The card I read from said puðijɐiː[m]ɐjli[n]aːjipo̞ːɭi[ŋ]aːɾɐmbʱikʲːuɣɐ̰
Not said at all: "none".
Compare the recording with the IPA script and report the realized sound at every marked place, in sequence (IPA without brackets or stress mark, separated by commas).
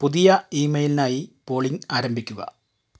m, n, ŋ